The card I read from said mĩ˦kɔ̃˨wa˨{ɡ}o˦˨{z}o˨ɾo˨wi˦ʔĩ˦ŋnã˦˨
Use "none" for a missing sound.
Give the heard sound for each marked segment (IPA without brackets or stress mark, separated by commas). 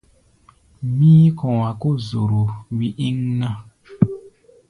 k, z